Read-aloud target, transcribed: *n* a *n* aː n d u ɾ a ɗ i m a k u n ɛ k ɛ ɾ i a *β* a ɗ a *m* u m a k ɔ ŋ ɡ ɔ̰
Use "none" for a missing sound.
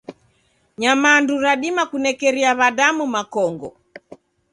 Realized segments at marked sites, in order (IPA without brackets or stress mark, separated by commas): ɲ, m, β, m